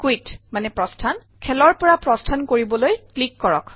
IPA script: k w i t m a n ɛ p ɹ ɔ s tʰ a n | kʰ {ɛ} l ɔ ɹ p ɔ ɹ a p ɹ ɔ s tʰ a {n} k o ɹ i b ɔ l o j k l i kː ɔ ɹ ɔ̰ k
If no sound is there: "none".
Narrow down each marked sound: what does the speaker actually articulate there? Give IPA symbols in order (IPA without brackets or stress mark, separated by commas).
ɛ, n